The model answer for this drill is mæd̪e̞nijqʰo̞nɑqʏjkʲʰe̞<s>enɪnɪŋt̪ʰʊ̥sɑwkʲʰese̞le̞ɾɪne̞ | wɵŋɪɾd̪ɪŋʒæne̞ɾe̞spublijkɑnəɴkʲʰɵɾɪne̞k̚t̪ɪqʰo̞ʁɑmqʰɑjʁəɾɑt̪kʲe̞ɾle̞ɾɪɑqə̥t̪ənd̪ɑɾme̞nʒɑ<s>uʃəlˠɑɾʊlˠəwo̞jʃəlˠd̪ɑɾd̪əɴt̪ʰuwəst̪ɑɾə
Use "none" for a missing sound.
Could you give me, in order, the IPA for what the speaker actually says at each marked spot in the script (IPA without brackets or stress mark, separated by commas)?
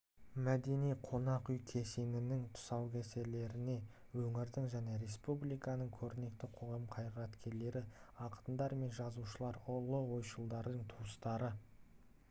s, z